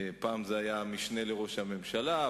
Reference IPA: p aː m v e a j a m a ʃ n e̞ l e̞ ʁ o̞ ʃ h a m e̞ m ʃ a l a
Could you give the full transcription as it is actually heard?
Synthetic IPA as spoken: p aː m z e a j a m i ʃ n e̞ l e̞ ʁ o̞ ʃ h a m e̞ m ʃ a l a